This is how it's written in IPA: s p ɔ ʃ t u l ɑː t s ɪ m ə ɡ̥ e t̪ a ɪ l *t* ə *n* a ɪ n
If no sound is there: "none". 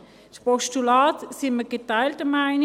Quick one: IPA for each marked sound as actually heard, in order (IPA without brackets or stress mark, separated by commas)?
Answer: t, m